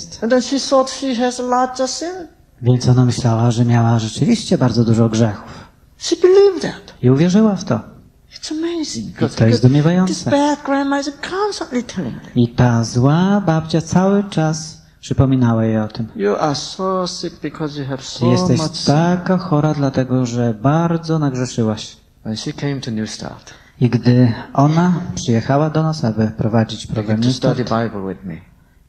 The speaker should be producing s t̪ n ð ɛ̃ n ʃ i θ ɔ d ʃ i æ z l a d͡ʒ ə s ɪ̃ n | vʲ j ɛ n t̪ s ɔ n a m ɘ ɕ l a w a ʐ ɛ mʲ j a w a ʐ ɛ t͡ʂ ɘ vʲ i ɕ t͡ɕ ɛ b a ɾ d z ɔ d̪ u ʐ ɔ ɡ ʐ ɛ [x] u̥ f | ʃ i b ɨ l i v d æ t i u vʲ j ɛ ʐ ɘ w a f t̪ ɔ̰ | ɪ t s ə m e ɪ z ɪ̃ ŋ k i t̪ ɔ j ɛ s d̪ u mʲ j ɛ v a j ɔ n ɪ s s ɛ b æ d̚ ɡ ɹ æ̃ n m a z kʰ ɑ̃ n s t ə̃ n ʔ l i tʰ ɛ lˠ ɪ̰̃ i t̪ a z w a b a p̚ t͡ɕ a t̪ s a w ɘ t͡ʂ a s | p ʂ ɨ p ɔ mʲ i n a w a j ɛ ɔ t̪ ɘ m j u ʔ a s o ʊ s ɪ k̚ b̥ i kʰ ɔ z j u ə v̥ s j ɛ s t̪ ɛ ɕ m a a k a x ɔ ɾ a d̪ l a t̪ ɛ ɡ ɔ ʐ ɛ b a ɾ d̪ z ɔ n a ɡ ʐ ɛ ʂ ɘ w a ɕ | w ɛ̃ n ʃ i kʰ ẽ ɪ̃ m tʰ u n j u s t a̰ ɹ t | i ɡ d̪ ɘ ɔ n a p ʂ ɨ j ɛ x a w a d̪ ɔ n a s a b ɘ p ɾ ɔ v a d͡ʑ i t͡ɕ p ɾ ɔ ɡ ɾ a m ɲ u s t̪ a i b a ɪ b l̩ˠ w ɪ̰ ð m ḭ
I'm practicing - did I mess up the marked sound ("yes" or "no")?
no